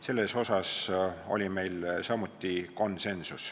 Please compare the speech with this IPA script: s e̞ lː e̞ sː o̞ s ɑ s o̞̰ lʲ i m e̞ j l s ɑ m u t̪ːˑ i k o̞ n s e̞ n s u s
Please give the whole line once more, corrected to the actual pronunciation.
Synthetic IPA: s e̞ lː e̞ s o̞ s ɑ s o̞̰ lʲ i m e̞ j l s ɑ m u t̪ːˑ i k o̞ n s e̞ n s u s